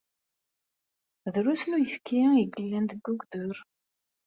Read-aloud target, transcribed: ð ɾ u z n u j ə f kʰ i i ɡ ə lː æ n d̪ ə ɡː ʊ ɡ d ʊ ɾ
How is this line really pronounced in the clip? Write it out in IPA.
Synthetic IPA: ð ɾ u s n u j ə f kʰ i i ɡ ə lː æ n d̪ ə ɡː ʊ ɡ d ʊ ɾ